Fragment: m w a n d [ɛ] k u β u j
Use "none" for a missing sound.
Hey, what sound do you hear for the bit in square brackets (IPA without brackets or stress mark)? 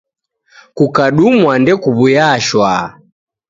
ɛ